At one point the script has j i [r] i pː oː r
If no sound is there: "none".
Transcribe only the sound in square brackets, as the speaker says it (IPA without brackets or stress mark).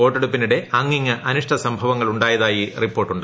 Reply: r